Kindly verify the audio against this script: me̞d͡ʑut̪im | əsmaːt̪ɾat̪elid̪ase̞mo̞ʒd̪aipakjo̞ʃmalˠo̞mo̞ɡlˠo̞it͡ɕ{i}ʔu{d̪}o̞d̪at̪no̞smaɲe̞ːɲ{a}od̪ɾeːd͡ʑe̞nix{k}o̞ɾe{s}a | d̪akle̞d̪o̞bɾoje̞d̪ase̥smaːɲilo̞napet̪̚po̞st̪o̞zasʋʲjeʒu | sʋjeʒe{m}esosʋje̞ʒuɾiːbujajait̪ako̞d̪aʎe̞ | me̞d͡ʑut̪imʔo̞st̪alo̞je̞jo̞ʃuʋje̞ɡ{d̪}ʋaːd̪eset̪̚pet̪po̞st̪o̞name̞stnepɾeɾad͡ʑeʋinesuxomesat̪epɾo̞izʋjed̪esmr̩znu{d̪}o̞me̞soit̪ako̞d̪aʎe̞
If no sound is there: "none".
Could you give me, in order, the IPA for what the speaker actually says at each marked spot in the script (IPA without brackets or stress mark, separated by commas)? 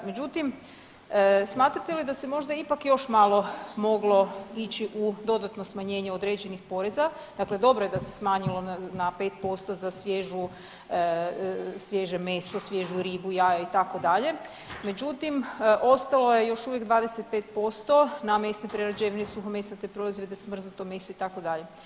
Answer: i, d̪, e, p, z, m, d̪, t̪